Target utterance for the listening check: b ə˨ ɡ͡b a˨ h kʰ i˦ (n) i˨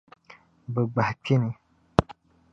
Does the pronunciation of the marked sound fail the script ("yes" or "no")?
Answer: no